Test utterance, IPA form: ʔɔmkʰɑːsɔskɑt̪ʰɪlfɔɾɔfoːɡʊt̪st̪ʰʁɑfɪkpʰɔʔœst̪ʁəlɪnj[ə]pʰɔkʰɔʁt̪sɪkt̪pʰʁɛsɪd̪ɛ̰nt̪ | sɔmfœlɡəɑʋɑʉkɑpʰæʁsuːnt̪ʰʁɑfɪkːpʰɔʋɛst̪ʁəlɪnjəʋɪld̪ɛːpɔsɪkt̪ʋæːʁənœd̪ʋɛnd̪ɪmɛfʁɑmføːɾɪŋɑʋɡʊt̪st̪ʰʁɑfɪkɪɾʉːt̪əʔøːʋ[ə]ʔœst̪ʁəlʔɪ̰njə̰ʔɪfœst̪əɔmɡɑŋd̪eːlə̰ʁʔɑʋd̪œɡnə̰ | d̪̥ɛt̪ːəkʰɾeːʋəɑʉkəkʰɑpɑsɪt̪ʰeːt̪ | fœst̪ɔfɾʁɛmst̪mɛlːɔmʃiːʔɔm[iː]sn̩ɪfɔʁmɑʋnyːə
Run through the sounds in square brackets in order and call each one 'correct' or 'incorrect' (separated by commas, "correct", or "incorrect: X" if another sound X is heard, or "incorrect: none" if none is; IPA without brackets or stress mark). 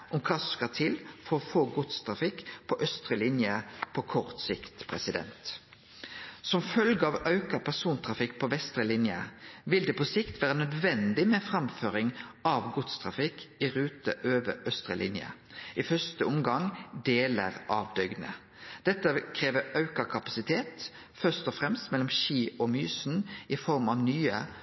correct, correct, incorrect: yː